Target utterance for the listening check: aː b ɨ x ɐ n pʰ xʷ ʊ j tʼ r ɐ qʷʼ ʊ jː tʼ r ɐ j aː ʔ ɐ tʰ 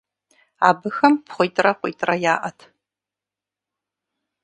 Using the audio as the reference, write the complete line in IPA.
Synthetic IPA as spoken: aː b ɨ x ɐ m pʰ χʷ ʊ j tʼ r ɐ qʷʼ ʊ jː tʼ r ɐ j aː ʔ ɐ tʰ